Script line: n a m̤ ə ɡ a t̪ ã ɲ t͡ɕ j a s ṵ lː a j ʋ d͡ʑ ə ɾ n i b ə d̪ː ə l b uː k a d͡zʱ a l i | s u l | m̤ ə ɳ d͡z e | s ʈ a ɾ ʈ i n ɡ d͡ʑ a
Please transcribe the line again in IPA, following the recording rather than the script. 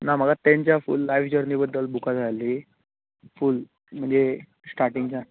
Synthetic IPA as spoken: n a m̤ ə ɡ a t̪ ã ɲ t͡ɕ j a f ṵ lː a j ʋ d͡ʑ ə ɾ n i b ə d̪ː ə l b u k a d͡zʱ a l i | f u l | m̤ ə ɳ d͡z e | s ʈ a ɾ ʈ i ŋ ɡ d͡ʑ a